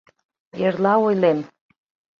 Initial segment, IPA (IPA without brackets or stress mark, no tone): e